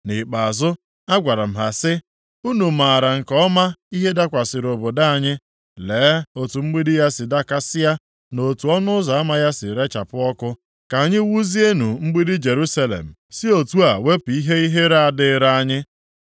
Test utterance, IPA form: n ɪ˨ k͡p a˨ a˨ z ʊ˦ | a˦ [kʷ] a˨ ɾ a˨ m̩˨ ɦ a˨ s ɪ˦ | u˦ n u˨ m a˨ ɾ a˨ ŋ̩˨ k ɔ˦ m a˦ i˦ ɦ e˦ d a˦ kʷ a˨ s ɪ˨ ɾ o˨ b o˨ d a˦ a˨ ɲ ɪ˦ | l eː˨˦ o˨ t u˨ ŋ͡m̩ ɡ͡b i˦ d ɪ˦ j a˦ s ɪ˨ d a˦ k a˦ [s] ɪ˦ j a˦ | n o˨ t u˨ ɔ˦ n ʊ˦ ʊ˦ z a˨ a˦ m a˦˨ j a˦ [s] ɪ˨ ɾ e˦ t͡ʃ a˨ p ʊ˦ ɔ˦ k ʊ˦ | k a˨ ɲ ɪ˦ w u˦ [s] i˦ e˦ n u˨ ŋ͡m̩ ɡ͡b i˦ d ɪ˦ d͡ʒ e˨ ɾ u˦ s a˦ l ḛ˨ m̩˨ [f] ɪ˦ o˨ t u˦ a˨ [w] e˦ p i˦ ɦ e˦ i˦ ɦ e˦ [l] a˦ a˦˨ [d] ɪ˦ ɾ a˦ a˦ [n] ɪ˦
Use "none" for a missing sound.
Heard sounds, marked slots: ɡʷ, s, s, z, s, w, ɾ, d, ɲ

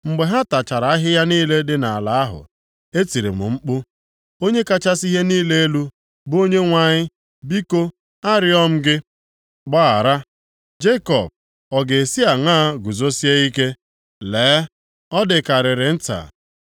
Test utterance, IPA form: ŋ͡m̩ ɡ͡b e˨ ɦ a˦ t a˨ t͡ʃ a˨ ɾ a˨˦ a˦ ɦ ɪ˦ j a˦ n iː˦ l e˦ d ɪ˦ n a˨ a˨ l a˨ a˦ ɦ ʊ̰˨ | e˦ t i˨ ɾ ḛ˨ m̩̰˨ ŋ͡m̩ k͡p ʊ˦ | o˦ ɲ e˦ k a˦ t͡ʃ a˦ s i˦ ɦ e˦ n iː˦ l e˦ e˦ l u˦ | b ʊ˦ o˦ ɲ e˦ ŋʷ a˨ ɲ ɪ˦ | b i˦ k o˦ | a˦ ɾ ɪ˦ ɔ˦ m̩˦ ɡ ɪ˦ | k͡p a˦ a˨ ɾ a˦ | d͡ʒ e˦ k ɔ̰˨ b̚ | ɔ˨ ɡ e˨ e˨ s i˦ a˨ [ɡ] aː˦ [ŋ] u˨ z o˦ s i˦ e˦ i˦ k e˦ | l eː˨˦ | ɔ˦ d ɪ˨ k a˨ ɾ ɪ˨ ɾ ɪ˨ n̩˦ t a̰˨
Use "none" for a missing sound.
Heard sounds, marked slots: ŋ, ɡ

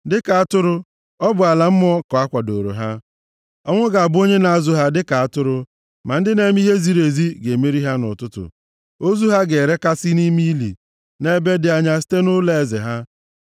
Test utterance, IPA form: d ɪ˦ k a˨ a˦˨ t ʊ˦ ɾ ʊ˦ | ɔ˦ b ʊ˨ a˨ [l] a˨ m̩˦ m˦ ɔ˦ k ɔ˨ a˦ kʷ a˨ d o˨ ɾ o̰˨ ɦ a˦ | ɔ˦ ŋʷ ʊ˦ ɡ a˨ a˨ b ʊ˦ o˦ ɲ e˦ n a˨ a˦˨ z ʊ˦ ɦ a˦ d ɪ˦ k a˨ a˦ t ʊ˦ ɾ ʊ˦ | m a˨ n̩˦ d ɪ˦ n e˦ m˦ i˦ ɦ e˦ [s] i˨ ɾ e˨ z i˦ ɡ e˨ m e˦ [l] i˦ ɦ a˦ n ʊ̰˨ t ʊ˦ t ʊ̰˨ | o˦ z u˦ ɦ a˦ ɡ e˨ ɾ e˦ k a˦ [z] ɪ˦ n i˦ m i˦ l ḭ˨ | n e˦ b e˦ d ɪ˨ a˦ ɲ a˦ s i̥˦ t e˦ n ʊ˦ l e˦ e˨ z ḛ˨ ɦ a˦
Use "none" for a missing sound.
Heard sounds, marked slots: l, z, ɾ, s

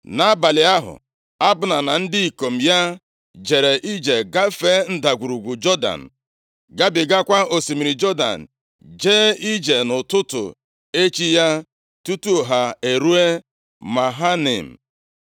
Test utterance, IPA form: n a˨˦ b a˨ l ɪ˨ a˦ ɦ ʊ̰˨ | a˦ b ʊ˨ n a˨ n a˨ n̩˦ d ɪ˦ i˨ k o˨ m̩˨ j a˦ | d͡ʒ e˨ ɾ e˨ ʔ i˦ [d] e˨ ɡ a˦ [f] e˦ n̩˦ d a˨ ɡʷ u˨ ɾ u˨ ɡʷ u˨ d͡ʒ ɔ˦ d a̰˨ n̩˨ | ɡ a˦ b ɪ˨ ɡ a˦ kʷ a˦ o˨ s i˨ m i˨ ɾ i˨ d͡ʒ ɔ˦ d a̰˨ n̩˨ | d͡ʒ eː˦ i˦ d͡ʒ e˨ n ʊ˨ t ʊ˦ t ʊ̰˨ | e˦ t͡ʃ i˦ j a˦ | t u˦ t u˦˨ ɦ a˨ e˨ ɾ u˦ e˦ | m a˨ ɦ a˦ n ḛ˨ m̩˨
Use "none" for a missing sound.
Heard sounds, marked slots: d͡ʒ, f

